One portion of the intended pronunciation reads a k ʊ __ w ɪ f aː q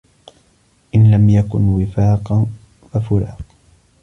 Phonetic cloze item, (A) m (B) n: B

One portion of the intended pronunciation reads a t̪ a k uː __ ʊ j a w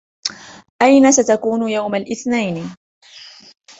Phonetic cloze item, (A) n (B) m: A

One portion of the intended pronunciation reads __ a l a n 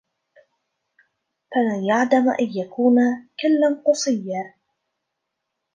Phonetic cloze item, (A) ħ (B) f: B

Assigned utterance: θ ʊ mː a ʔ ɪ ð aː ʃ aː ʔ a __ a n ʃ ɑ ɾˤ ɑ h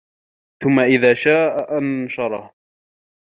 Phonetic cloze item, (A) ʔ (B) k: A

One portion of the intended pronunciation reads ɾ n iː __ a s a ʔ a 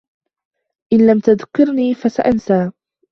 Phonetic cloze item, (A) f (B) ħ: A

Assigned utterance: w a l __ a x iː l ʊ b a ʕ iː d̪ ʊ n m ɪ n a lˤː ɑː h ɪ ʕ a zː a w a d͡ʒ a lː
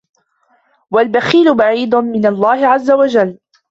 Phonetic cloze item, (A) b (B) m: A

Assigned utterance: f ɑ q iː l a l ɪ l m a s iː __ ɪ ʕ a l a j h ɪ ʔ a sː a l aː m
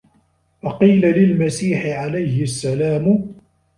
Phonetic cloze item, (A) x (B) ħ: B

